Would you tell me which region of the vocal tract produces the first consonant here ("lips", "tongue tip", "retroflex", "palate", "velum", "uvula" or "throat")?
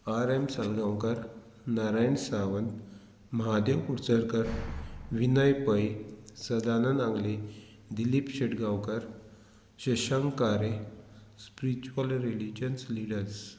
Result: tongue tip